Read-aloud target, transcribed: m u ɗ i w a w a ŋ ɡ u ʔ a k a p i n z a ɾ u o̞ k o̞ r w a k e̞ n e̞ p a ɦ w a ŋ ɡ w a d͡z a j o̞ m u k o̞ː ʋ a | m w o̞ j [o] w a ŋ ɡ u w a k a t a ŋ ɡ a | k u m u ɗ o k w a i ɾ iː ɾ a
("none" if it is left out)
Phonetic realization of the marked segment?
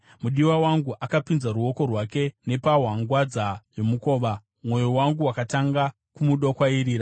o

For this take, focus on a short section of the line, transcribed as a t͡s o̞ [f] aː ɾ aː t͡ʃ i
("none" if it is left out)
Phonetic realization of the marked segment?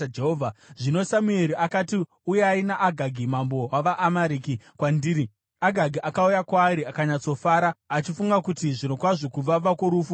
f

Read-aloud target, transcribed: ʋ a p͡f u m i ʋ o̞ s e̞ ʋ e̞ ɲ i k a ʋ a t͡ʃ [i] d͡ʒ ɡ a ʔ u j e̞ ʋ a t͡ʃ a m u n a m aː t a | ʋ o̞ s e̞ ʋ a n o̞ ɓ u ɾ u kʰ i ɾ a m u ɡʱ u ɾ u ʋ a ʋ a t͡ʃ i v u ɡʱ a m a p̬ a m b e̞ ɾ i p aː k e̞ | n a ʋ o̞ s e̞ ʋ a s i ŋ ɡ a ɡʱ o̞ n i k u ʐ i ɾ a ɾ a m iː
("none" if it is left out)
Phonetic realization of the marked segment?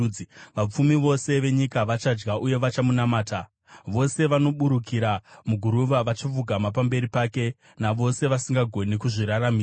a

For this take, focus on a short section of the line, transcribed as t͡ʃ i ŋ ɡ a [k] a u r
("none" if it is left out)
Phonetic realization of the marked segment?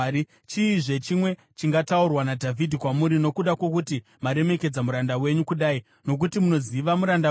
t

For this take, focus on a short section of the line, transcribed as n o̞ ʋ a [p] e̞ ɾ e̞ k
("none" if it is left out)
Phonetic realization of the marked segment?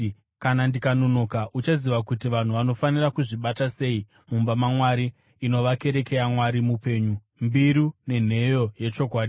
k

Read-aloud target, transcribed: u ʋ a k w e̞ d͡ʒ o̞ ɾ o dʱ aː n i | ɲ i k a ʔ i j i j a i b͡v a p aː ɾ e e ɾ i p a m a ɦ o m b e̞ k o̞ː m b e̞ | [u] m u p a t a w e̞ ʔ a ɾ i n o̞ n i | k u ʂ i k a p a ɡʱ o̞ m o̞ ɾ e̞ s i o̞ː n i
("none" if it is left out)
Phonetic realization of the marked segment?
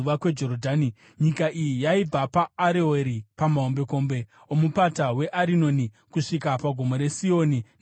o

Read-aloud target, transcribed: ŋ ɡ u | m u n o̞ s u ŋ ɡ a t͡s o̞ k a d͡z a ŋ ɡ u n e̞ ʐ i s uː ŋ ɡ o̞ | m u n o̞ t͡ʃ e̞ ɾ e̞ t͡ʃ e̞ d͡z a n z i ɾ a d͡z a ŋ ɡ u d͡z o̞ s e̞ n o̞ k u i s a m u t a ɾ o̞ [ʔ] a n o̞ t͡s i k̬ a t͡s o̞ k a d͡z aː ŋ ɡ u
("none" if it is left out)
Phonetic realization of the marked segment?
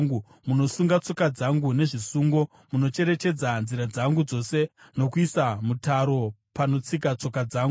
p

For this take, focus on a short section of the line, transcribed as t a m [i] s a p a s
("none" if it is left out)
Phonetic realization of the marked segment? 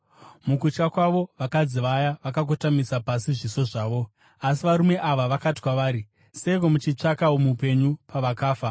i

